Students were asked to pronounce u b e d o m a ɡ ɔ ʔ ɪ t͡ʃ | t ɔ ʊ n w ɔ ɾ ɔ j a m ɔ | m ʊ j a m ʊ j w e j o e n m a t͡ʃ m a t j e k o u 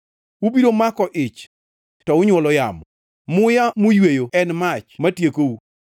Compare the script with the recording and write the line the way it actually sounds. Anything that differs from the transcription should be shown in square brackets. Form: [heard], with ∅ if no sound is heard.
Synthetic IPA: u b [i] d o m a [k] ɔ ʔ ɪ t͡ʃ | t ɔ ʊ [ɲ] w ɔ [l] ɔ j a m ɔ | m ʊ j a m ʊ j w e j o [ɛ] n m a t͡ʃ m a t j e k o u